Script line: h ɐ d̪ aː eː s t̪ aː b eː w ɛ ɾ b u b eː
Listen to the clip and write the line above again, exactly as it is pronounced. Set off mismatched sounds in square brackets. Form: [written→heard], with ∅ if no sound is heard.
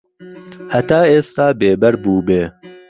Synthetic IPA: h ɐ [d̪→t̪] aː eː s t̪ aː b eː [w→b] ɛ ɾ b [u→uː] b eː